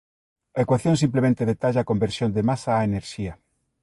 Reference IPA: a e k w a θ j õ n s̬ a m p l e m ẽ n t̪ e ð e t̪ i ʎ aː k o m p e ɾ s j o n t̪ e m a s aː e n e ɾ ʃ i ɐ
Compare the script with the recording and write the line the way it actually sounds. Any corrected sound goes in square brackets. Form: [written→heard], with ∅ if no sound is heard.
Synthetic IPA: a e k w a θ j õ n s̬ [a→i] m p l e m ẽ n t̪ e ð e t̪ [i→a] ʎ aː k o m [p→b] e ɾ s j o n [t̪→d̪] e m a s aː e n e ɾ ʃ i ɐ

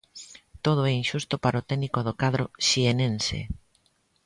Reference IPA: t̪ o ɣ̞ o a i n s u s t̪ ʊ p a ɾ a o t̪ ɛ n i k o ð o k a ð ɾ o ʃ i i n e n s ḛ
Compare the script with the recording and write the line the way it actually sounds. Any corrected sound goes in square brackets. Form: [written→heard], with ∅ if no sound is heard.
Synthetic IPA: t̪ o [ɣ̞→ð̞] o [a→ɛ] i n [s→ʃ] u s t̪ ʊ p a ɾ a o t̪ ɛ n i k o ð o k a ð ɾ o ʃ i [i→e] n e n s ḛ

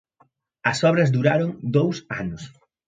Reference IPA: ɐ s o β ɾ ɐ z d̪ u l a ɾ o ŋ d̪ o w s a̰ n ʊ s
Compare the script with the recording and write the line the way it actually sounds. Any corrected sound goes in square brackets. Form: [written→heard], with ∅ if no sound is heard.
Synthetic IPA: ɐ s [o→ɔ] β ɾ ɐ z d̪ u [l→ɾ] a ɾ o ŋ d̪ o w s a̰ n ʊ s

